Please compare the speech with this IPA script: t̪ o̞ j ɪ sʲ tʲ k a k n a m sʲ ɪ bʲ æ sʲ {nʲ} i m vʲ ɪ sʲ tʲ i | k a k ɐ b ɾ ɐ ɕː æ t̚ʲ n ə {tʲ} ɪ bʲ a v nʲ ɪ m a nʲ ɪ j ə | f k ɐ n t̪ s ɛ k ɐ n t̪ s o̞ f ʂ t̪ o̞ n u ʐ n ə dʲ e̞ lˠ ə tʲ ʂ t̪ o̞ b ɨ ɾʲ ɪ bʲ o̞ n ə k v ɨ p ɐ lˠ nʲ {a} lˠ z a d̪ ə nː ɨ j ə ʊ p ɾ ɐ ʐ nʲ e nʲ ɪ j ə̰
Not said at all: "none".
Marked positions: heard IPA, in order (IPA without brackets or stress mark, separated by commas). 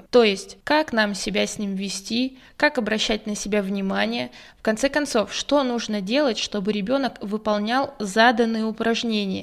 nʲ, sʲ, a